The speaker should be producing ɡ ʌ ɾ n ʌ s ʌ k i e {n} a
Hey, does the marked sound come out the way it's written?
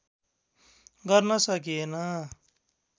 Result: yes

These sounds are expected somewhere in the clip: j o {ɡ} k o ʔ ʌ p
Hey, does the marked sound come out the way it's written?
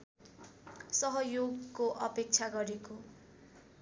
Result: yes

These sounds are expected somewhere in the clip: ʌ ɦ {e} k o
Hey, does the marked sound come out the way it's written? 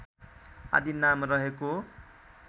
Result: yes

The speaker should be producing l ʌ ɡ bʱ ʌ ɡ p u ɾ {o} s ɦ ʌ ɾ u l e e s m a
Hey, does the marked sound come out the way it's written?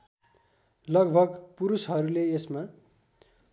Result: no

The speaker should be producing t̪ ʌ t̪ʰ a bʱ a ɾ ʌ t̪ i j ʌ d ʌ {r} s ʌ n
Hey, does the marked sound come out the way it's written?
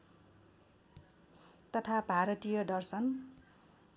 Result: yes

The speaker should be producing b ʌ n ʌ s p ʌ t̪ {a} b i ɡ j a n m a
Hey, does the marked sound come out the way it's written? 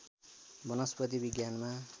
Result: no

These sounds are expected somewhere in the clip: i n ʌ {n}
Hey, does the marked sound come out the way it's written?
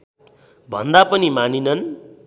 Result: yes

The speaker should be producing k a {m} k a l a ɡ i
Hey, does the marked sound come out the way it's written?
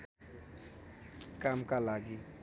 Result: yes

